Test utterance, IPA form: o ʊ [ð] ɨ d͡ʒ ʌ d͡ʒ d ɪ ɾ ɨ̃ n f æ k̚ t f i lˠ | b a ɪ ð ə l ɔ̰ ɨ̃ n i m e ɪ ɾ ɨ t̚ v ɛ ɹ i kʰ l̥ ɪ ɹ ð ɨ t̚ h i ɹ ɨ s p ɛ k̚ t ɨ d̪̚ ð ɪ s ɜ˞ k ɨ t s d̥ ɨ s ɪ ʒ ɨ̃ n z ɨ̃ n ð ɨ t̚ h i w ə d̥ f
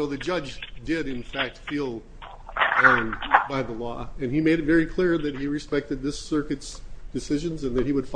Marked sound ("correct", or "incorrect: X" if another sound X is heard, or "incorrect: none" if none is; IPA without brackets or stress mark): correct